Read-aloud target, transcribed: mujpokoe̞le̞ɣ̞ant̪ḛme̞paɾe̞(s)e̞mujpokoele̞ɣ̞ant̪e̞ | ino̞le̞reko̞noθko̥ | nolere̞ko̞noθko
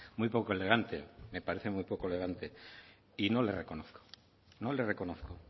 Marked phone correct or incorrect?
incorrect